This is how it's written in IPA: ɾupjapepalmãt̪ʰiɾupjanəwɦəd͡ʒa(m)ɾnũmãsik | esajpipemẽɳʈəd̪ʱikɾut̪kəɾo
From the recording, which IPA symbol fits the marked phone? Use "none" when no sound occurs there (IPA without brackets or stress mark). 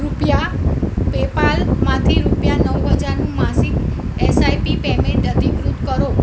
none